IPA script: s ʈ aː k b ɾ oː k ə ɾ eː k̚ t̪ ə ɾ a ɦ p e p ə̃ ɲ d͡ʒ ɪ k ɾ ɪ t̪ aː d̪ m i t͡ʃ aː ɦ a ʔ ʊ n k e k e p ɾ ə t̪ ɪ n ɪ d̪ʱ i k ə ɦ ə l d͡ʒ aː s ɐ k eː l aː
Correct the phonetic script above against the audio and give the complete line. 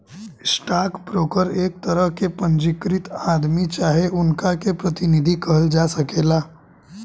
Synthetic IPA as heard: s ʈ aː k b ɾ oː k ə ɾ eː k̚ t̪ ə ɾ ə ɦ k e p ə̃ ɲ d͡ʒ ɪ k ɾ ɪ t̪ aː d̪ m i t͡ʃ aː ɦ e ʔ ʊ n k a k e p ɾ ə t̪ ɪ n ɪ d̪ʱ i k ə ɦ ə l d͡ʒ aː s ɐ k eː l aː